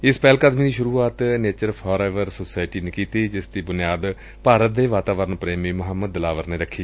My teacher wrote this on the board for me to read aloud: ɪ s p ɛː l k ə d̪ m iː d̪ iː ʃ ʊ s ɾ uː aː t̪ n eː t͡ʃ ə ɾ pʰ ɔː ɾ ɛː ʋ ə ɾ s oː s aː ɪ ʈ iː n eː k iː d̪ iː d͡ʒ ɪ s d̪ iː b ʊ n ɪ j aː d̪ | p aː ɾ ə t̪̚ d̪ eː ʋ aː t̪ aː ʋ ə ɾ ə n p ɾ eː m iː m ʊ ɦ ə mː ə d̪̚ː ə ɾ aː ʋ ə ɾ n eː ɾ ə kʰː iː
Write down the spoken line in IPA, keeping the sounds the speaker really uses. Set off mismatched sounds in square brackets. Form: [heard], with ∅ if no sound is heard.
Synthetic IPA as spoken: ɪ s p ɛː l k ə d̪ m iː d̪ iː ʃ ʊ [∅] ɾ uː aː t̪ n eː t͡ʃ ə ɾ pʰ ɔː ɾ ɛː ʋ ə ɾ s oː s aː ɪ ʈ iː n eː k iː [t̪] iː d͡ʒ ɪ s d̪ iː b ʊ n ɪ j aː d̪ | p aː ɾ ə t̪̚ d̪ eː ʋ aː t̪ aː ʋ ə ɾ ə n p ɾ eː m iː m ʊ ɦ ə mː ə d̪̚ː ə [l] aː ʋ ə ɾ n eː ɾ ə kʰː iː